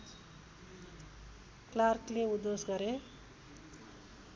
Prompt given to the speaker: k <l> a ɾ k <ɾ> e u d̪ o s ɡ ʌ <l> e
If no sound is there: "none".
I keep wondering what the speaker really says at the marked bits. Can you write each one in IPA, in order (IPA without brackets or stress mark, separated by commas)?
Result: l, l, ɾ